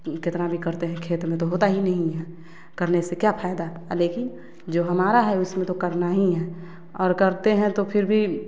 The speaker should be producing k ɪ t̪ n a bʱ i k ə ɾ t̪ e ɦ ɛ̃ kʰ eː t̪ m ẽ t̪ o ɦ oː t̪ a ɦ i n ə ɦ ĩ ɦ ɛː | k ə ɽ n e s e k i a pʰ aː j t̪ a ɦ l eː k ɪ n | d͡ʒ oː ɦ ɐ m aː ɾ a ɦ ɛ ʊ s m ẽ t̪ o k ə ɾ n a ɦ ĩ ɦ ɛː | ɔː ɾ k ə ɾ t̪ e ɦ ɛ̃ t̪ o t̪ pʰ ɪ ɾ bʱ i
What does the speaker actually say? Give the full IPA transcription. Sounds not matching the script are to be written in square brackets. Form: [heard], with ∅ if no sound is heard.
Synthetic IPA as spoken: k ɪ t̪ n a bʱ i k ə ɾ t̪ e ɦ ɛ̃ kʰ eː t̪ m ẽ t̪ o ɦ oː t̪ a ɦ i n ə ɦ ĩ ɦ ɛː | k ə [ɾ] n e s e k [j] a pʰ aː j [d̪] a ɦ l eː k ɪ n | d͡ʒ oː ɦ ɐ m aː ɾ a ɦ ɛ ʊ s m ẽ t̪ o k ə ɾ n a ɦ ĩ ɦ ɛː | ɔː ɾ k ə ɾ t̪ e ɦ ɛ̃ t̪ o [∅] pʰ ɪ ɾ bʱ i